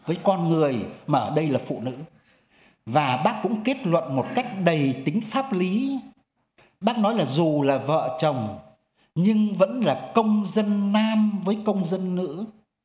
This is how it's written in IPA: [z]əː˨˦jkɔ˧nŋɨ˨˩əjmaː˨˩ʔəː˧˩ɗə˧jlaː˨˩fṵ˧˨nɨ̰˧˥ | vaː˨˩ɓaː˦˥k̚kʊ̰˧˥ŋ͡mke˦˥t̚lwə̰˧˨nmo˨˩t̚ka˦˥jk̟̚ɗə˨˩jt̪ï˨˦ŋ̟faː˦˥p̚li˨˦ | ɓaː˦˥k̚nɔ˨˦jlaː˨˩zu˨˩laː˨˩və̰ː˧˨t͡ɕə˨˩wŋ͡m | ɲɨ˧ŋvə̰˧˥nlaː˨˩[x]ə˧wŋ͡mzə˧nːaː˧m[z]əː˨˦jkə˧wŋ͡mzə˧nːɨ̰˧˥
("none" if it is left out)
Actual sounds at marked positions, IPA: v, k, v

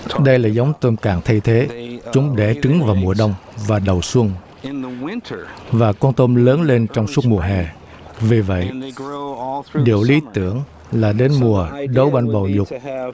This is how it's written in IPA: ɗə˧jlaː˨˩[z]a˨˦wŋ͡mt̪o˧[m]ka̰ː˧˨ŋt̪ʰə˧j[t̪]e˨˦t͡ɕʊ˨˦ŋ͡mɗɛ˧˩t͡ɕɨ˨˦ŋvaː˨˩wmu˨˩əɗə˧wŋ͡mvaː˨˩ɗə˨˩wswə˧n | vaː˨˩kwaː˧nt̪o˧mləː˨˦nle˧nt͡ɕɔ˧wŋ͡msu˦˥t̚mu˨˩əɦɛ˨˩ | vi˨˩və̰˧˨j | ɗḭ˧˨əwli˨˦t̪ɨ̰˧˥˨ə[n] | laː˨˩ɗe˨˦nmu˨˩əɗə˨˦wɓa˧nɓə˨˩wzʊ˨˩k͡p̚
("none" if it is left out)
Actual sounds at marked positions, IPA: z, m, t̪ʰ, ŋ

